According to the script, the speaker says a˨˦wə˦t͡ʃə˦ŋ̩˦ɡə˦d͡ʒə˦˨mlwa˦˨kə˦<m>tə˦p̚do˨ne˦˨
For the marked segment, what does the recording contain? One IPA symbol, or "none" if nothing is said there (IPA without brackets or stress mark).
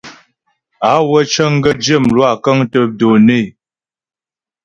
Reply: ŋ